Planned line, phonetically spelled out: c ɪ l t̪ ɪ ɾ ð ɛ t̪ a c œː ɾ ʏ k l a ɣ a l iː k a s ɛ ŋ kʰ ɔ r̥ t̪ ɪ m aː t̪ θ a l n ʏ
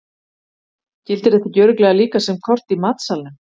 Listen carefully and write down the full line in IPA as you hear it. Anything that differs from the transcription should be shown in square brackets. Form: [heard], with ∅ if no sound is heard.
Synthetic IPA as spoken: c ɪ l t̪ ɪ ɾ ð ɛ t̪ a c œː ɾ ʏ k l [ɛ] ɣ a l iː k a s ɛ [m] kʰ ɔ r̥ t̪ [i] m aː t̪ [s] a l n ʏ